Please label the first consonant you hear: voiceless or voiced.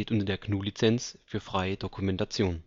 voiceless